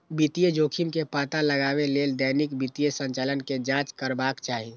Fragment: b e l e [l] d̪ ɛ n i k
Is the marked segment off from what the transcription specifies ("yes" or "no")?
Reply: no